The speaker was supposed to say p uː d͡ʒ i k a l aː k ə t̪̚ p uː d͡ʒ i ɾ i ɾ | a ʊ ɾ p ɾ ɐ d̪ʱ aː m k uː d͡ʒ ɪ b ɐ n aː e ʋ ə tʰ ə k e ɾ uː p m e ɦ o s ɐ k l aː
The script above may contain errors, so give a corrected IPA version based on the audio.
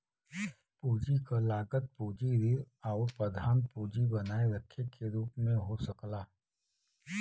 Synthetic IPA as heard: p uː d͡ʒ i k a l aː ɡ ə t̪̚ p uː d͡ʒ i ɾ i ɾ | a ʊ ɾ p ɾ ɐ d̪ʱ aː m p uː d͡ʒ i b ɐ n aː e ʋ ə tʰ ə k e ɾ uː p m ẽ ɦ o s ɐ k l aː